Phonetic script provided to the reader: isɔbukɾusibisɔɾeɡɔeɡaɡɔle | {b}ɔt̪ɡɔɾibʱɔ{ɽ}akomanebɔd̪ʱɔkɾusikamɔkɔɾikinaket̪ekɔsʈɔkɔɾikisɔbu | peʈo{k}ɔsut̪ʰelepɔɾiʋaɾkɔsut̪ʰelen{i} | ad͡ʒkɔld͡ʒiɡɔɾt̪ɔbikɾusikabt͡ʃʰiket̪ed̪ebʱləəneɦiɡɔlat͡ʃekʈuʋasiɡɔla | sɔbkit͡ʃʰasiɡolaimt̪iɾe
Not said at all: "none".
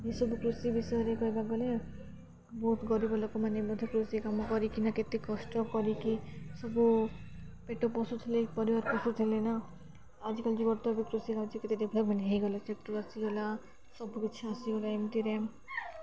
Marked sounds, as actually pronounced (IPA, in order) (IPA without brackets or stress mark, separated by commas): b, l, p, a